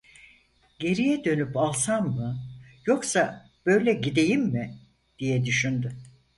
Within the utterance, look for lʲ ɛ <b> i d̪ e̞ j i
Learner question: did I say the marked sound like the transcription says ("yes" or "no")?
no